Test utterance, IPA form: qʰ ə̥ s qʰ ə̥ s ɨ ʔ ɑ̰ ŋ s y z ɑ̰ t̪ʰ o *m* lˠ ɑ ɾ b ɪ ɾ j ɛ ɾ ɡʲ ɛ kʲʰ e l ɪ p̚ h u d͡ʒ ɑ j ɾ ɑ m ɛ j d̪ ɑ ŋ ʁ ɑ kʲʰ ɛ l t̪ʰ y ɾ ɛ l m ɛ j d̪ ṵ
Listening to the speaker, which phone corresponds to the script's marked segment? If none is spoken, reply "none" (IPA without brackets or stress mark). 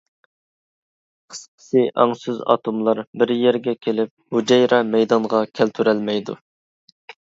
m